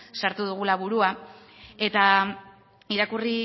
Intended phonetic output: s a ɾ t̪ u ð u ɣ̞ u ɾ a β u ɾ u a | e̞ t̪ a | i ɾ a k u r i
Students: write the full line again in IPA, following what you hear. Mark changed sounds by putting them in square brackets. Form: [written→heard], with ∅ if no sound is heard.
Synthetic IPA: s a ɾ t̪ u ð u ɣ̞ u [ɾ→l] a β u ɾ u a | e̞ t̪ a | i ɾ a k u r i